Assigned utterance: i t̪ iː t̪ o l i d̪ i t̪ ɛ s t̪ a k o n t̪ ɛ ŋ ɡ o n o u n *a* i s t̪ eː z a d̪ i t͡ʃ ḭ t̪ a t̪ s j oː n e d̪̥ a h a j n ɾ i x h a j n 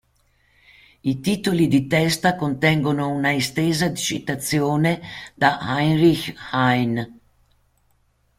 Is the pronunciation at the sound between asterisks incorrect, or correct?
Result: correct